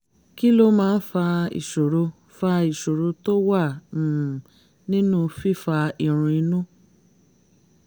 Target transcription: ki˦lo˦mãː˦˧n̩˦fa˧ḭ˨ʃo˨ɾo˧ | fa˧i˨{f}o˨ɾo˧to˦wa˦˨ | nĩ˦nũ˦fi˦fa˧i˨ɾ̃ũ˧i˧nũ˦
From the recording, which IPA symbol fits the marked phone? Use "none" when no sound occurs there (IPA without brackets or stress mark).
ʃ